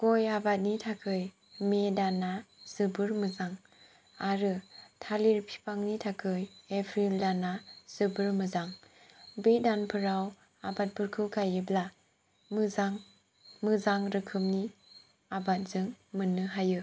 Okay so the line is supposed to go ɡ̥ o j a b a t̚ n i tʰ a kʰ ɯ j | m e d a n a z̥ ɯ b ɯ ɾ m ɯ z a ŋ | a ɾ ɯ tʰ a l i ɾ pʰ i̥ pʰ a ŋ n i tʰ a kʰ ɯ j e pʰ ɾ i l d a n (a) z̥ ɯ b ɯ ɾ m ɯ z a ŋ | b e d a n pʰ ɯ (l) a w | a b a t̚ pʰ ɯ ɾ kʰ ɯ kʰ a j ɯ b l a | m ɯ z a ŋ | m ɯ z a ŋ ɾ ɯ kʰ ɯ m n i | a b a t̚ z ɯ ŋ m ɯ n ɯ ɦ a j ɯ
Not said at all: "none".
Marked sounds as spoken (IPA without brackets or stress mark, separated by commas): a, ɾ